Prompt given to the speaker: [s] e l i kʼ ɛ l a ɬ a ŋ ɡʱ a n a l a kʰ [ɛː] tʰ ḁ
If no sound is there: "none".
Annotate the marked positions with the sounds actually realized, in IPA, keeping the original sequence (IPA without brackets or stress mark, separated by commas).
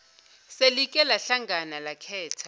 s, ɛː